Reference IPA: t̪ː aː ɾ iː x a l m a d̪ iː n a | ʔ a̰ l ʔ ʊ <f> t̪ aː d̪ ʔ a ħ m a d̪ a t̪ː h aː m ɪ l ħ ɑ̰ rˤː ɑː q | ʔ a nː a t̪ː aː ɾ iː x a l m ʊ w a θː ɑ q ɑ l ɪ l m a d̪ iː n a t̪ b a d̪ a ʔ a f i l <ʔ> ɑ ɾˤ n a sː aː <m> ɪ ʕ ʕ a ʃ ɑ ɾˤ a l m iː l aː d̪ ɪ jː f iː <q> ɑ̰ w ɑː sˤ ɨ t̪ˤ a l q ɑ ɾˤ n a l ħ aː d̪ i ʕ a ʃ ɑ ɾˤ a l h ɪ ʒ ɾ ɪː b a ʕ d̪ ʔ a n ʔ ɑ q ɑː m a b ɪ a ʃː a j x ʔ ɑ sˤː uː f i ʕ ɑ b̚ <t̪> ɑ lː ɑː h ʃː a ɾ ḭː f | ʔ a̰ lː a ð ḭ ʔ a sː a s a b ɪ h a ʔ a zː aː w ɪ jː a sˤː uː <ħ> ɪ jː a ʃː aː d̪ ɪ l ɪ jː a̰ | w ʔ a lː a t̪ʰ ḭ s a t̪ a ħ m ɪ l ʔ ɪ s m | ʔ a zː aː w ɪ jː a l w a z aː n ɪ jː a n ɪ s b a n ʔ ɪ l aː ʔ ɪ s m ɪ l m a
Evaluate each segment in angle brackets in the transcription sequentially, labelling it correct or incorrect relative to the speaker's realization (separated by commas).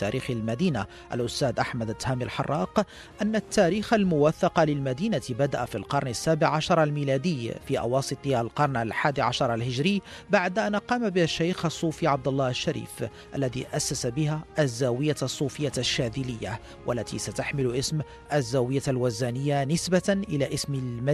incorrect, incorrect, incorrect, incorrect, incorrect, incorrect